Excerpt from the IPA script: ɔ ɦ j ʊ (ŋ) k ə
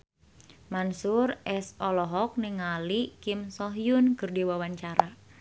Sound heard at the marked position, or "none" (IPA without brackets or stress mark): n